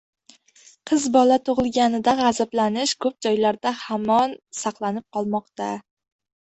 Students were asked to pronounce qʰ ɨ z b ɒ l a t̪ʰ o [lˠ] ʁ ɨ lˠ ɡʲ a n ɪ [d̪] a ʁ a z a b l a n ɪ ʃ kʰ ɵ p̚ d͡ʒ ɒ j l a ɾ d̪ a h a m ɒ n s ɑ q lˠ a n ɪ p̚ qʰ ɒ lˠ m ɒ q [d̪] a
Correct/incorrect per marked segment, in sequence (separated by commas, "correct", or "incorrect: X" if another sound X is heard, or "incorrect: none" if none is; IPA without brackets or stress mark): incorrect: none, correct, incorrect: t̪